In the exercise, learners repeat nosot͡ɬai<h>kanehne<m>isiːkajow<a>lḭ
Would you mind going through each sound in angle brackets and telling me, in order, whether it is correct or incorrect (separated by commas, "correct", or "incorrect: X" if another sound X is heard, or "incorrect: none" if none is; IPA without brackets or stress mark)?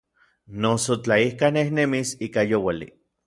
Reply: correct, correct, correct